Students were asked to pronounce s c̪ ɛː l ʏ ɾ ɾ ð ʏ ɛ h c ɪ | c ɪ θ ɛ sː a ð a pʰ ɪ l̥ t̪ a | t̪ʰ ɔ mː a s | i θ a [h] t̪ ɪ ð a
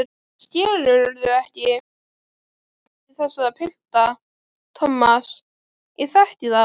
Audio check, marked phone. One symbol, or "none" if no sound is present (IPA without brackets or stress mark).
h